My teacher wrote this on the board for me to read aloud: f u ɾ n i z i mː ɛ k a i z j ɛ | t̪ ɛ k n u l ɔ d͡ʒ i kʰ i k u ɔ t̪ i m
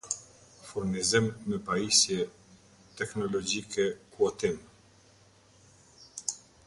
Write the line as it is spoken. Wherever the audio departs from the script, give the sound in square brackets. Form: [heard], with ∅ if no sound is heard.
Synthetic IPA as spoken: f u ɾ n i z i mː ɛ [p] a i [s] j ɛ | t̪ ɛ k n [ɔ] l ɔ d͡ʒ i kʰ [ɛ] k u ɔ t̪ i m